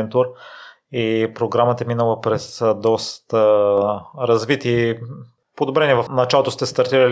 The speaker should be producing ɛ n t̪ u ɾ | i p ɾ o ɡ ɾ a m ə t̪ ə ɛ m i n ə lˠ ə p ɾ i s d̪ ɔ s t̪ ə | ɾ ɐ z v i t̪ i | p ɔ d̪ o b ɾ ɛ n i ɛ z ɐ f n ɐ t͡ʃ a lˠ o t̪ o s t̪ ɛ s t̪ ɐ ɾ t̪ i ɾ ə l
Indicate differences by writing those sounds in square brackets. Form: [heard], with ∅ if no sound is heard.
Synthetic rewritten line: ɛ n t̪ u ɾ | i p ɾ o ɡ ɾ a m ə t̪ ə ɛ m i n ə lˠ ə p ɾ [ɛ] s d̪ ɔ s t̪ ə | ɾ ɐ z v i t̪ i | p [o] d̪ o b ɾ ɛ n i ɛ [v] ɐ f n ɐ t͡ʃ a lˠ o t̪ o s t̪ ɛ s t̪ ɐ ɾ t̪ i ɾ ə l